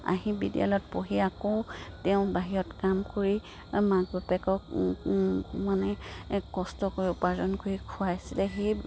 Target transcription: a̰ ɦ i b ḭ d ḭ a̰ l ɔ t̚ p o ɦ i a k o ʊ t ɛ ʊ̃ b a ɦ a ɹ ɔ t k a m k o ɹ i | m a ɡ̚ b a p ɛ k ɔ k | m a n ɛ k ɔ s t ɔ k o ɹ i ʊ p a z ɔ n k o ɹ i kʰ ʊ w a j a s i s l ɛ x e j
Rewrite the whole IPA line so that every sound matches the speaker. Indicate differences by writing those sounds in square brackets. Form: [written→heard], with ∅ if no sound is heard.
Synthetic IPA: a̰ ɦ i b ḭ d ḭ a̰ l ɔ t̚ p o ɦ i a k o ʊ t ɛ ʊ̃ b a ɦ [a→i] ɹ ɔ t k a m k o ɹ i | m a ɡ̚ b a p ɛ k ɔ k | m a n ɛ k ɔ s t ɔ k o ɹ i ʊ p a z ɔ n k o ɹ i kʰ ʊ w a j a s i [s→∅] l ɛ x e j